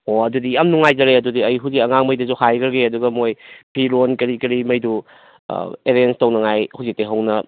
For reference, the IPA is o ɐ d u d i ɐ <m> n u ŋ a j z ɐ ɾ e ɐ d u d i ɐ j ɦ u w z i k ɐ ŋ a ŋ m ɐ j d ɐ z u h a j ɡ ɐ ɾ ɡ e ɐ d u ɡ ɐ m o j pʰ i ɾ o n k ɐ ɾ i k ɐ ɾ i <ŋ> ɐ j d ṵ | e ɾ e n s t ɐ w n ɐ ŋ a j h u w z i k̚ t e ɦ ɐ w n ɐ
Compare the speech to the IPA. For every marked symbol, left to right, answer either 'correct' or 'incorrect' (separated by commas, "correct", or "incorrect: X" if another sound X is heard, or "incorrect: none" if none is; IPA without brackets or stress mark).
correct, incorrect: m